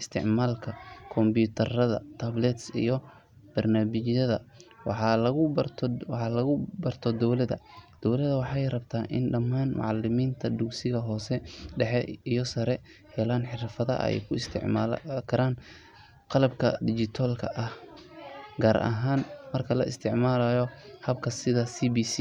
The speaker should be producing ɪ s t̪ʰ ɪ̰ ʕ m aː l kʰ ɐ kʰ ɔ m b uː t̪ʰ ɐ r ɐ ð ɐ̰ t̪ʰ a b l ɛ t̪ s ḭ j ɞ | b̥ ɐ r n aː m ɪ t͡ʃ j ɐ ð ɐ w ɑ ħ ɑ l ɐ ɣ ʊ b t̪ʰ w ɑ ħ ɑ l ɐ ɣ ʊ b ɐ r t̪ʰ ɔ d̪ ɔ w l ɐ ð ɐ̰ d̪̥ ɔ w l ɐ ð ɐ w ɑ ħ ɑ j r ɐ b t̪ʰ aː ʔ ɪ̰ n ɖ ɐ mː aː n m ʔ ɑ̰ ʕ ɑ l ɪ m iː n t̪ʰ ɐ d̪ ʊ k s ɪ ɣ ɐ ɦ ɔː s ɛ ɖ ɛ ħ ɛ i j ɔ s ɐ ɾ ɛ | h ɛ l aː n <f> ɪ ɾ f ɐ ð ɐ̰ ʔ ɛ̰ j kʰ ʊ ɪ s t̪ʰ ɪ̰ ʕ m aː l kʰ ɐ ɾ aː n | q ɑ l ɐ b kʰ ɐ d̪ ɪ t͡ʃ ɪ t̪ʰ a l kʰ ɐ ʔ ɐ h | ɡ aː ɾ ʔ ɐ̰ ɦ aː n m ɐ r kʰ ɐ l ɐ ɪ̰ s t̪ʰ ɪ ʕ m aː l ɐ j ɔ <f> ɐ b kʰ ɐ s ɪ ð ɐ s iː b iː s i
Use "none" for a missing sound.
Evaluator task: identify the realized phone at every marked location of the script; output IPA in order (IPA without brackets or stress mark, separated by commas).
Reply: ħ, h